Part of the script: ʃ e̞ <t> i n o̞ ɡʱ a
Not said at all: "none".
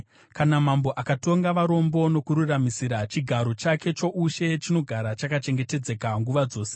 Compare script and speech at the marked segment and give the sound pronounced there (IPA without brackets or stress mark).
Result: t͡ʃ